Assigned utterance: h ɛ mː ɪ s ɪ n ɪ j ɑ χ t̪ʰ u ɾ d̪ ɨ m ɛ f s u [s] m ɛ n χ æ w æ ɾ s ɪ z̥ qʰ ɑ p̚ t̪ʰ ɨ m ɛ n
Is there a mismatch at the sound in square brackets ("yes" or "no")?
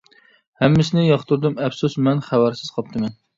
no